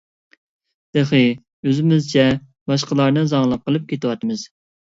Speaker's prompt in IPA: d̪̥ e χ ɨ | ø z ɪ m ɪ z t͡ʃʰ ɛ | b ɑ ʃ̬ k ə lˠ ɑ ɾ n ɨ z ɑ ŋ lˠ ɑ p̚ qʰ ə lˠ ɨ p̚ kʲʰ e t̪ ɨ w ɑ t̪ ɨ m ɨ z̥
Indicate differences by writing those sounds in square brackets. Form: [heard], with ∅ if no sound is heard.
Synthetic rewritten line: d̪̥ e χ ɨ | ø z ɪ m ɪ z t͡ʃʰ ɛ | b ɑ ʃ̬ [q] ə lˠ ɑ ɾ n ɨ z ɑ ŋ lˠ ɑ p̚ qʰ ə lˠ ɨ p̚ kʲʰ e t̪ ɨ w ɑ t̪ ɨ m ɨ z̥

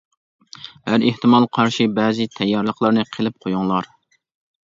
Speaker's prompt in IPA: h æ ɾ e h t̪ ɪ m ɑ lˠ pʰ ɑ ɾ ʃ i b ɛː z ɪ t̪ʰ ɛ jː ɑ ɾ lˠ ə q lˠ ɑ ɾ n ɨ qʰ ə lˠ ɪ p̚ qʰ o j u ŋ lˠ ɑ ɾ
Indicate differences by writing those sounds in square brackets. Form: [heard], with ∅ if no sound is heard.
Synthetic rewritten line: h æ ɾ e h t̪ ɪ m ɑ lˠ [qʰ] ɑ ɾ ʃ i b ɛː z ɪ t̪ʰ ɛ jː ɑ ɾ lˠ ə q lˠ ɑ ɾ n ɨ qʰ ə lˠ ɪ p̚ qʰ o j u ŋ lˠ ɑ ɾ

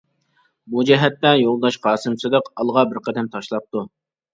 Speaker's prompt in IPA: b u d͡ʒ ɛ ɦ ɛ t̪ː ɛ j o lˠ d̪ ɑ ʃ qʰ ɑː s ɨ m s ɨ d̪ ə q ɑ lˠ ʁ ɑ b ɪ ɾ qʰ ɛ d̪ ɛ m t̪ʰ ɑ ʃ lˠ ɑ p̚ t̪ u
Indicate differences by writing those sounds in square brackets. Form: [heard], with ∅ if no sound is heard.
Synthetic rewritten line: b u d͡ʒ ɛ ɦ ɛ t̪ː ɛ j o lˠ d̪ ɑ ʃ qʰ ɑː s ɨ m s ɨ d̪ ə q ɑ lˠ ʁ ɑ b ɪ ɾ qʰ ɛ d̪ ɛ m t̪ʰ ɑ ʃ lˠ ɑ p̚ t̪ u

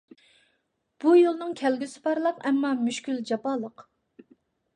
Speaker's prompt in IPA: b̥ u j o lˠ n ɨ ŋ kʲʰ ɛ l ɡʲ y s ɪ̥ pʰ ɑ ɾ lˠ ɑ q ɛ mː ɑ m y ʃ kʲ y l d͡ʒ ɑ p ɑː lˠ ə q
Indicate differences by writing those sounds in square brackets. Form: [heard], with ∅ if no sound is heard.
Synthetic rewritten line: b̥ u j o lˠ n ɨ ŋ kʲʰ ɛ l ɡʲ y s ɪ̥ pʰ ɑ ɾ lˠ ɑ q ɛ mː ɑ m y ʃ kʲ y l d͡ʒ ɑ p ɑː lˠ ə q

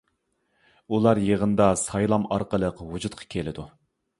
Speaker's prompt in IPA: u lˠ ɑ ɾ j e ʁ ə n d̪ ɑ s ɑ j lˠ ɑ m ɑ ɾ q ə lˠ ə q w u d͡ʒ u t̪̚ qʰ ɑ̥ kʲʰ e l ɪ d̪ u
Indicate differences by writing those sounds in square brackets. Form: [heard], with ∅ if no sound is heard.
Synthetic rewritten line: u lˠ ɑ ɾ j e ʁ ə n d̪ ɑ s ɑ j lˠ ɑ m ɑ ɾ q ə lˠ ə q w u d͡ʒ u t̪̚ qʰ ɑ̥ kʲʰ e l ɪ d̪ u

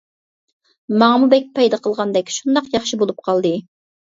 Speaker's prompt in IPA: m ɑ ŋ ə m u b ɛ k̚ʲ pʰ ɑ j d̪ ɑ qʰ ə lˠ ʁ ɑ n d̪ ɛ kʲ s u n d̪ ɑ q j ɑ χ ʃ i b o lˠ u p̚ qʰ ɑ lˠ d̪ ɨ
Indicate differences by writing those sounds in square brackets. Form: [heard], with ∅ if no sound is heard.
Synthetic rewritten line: m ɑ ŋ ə m u b ɛ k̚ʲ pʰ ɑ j d̪ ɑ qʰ ə lˠ ʁ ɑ n d̪ ɛ kʲ [ʃ] u n d̪ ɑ q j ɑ χ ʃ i b o lˠ u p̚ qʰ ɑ lˠ d̪ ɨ

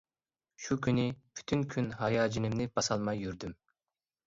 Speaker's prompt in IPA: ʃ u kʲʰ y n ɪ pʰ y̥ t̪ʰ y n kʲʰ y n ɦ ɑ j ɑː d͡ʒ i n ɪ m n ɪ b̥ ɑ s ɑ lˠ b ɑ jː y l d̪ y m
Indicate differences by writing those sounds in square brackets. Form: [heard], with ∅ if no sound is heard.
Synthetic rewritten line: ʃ u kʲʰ y n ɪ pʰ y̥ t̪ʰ y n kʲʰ y n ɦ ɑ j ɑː d͡ʒ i n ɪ m n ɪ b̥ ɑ s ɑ lˠ [m] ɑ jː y [ɾ] d̪ y m

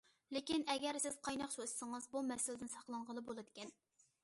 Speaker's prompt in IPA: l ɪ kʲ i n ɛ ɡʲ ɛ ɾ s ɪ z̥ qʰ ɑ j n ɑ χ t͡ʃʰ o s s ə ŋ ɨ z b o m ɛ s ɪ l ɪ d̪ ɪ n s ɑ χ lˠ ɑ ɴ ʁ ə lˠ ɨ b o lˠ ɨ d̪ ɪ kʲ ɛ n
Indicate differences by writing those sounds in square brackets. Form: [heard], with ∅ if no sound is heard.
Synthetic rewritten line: l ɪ kʲ i n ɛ ɡʲ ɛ ɾ s ɪ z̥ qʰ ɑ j n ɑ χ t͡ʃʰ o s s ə ŋ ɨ z b [u] m ɛ s ɪ l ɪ d̪ ɪ n s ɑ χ lˠ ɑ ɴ ʁ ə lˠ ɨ b o lˠ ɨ d̪ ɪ kʲ ɛ n

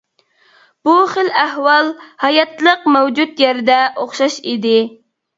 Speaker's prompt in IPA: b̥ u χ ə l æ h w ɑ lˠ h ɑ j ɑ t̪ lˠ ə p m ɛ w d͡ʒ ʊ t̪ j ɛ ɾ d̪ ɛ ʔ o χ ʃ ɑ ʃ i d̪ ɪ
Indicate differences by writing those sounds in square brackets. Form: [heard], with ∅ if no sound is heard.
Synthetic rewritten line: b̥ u χ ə l æ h w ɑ lˠ h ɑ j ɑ t̪ lˠ ə [q] m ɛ w d͡ʒ [u] t̪ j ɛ ɾ d̪ ɛ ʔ o χ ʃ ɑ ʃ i d̪ ɪ

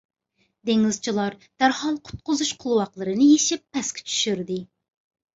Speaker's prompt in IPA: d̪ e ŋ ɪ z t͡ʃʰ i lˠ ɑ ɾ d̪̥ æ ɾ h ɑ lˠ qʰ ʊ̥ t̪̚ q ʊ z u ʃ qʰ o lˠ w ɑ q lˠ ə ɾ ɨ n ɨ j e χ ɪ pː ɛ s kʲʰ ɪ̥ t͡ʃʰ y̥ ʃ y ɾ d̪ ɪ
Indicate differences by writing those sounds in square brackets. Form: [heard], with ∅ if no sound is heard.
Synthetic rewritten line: d̪ e ŋ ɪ z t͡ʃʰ i lˠ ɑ ɾ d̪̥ æ ɾ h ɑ lˠ qʰ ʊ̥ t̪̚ q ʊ z u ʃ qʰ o lˠ w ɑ q lˠ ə ɾ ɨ n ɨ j e [ʃ] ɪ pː ɛ s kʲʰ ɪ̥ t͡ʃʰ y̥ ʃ y ɾ d̪ ɪ

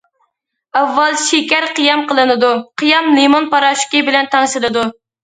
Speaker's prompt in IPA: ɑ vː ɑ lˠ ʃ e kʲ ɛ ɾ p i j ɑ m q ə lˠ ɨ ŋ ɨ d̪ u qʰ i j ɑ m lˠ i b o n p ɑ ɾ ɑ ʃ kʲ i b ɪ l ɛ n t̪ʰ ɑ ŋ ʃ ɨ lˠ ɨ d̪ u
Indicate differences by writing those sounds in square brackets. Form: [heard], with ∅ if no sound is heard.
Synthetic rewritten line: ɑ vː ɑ lˠ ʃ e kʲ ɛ ɾ [q] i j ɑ m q ə lˠ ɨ [n] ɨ d̪ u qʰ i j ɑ m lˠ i [m] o n p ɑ ɾ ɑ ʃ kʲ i b ɪ l ɛ n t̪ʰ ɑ ŋ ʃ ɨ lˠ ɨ d̪ u

